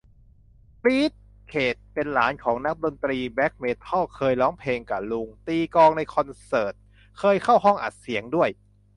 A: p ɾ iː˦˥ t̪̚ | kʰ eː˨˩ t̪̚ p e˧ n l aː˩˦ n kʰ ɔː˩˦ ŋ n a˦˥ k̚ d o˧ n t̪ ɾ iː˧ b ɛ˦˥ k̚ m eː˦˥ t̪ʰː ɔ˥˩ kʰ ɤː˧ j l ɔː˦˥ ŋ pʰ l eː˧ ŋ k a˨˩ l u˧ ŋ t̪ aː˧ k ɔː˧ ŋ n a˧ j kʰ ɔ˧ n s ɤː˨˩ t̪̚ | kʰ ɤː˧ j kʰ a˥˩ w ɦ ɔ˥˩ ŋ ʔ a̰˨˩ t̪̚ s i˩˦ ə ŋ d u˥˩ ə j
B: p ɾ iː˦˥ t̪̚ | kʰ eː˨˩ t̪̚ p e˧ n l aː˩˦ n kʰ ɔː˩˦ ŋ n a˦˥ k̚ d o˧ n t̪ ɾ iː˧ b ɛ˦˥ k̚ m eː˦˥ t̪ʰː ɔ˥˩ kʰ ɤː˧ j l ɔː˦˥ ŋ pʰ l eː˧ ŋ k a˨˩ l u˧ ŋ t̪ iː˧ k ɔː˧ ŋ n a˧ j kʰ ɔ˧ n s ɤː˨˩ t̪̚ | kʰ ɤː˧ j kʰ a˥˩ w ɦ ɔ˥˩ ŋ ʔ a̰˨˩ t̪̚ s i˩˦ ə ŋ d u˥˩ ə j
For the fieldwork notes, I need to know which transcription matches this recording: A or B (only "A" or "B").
B